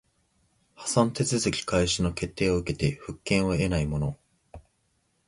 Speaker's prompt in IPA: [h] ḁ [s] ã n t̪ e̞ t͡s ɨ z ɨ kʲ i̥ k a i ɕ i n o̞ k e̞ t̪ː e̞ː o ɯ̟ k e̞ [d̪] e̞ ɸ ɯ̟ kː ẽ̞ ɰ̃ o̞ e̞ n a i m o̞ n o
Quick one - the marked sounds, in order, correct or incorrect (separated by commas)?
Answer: correct, correct, incorrect